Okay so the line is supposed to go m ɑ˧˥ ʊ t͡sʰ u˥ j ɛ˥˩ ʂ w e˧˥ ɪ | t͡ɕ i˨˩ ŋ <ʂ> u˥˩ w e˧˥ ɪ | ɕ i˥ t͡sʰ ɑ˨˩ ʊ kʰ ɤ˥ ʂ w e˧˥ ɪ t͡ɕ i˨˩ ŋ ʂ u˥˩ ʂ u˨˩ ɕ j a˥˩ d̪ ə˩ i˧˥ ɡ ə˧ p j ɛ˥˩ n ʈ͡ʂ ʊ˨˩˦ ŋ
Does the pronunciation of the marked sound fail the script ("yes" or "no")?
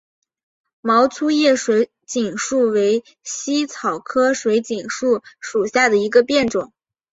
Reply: no